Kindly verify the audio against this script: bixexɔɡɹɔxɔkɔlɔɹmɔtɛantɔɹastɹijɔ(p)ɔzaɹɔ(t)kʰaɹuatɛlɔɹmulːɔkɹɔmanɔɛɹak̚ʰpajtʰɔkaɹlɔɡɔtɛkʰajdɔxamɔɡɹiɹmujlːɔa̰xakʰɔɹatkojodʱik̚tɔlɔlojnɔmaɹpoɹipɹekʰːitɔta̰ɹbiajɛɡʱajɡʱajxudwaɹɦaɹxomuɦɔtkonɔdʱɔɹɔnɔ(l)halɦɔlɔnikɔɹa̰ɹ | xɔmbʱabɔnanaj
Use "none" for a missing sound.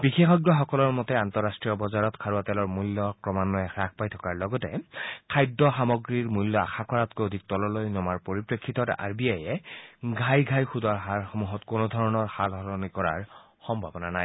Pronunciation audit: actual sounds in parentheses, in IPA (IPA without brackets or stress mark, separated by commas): b, t, ɹ